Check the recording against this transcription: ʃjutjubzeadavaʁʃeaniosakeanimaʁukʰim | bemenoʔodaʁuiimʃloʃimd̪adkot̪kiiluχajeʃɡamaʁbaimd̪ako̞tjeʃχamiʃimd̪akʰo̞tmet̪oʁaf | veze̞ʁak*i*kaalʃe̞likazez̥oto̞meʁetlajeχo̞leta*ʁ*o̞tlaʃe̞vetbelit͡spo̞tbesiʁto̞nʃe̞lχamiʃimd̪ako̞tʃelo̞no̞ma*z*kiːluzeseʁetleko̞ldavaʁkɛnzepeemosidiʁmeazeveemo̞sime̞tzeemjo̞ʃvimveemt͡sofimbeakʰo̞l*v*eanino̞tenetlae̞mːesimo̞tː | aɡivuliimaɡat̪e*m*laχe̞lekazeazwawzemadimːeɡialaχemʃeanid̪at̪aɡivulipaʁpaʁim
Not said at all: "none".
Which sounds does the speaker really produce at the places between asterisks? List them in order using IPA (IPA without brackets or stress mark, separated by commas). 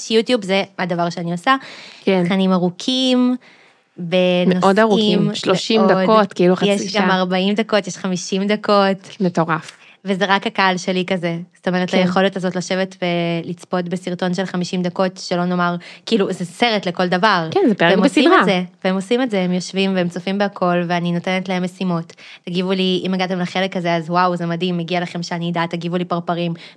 a, z, ʁ, v, m